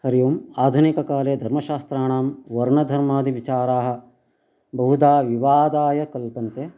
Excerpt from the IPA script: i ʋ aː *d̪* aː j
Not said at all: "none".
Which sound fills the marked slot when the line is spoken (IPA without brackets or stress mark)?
d̪